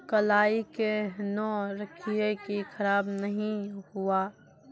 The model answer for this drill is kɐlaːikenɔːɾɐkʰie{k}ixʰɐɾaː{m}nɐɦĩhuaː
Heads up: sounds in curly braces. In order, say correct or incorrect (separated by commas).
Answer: correct, incorrect